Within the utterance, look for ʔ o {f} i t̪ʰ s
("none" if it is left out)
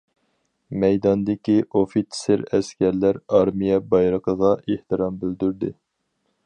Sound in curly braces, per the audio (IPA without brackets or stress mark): f